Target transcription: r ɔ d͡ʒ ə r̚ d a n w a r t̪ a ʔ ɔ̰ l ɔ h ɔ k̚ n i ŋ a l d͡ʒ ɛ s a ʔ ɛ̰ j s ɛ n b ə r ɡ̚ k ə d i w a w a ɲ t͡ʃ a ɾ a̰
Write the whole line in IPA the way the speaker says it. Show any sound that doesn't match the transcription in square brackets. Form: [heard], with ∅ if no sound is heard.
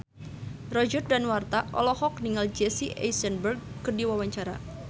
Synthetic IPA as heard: r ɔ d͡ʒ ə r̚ d a n w a r t̪ a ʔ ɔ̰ l ɔ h ɔ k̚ n i ŋ a l d͡ʒ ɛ s [i] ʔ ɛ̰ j s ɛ n b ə r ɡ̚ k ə d i w a w a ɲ t͡ʃ a ɾ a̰